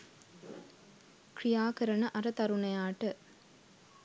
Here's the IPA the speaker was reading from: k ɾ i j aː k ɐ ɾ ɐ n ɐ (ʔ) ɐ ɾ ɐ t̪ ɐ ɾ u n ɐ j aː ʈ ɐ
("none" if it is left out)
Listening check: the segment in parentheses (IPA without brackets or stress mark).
ʔ